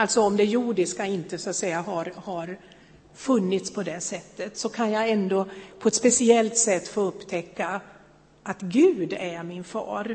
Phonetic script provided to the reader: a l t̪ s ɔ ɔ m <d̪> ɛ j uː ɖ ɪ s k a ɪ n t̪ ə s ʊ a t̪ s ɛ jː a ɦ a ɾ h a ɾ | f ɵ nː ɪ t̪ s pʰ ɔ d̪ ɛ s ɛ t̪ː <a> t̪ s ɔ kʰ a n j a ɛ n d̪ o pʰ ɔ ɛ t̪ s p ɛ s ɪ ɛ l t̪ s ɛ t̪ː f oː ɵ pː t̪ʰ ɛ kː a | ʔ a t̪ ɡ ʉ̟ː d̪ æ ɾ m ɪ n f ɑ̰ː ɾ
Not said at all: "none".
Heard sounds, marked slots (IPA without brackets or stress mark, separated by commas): d̪, ə